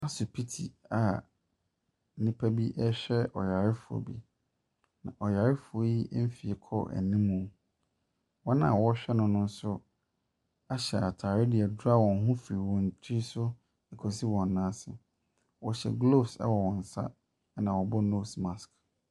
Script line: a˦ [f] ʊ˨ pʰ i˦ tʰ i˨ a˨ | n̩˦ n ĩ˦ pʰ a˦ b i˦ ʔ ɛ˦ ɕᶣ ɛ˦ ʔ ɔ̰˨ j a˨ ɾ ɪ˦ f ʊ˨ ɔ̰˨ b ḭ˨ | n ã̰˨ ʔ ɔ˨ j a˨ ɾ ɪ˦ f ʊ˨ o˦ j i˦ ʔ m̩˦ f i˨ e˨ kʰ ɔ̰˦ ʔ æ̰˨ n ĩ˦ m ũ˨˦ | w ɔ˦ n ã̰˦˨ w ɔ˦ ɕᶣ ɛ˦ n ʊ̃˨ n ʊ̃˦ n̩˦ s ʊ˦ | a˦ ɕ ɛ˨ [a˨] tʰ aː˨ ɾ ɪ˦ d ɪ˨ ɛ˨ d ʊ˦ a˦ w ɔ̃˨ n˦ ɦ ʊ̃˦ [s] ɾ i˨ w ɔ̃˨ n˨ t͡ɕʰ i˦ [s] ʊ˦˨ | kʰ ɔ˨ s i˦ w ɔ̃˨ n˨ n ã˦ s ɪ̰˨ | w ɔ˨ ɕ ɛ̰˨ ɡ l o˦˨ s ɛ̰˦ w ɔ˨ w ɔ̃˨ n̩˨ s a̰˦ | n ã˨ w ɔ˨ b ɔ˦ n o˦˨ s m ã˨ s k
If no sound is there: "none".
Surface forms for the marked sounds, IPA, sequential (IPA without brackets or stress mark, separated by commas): s, a˨, f, s